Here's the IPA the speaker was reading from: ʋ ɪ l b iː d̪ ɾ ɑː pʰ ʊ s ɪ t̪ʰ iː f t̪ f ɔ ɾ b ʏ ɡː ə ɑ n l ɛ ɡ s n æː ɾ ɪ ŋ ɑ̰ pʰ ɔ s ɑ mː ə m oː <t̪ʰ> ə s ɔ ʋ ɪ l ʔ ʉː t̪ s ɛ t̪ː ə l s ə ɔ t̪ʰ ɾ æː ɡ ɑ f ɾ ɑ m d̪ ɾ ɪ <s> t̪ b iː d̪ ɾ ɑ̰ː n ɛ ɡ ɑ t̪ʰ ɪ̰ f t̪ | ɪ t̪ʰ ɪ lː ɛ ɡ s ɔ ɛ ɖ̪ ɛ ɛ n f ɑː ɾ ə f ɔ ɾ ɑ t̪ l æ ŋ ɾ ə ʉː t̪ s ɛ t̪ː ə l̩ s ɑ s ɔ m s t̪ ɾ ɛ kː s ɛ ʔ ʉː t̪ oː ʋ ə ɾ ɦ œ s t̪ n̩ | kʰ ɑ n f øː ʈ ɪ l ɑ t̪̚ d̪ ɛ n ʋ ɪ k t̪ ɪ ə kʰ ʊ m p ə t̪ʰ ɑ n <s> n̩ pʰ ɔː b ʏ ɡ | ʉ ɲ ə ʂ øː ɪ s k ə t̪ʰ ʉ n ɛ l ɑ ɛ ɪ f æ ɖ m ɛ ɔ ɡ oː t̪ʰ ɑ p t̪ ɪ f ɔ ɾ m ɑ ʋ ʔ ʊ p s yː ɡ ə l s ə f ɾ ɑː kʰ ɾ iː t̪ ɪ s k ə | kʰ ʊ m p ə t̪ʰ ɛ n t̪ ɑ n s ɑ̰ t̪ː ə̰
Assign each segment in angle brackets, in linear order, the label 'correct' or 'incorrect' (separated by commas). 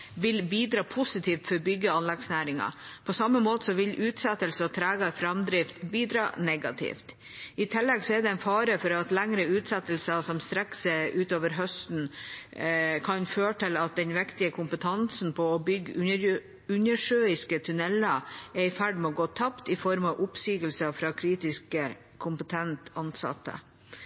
incorrect, incorrect, correct